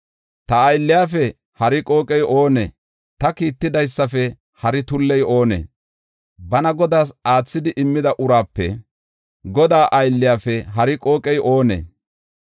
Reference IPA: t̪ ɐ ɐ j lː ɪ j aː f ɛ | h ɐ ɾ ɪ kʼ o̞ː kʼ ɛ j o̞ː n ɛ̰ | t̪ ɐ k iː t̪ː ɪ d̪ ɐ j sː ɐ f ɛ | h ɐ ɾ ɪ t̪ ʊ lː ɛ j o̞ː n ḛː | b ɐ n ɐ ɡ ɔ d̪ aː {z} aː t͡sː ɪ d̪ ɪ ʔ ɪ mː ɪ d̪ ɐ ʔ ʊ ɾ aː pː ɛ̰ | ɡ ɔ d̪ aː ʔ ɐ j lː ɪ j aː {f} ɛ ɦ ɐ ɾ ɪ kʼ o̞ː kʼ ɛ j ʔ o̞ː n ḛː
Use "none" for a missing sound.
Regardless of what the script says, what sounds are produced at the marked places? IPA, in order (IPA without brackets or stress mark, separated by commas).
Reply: s, f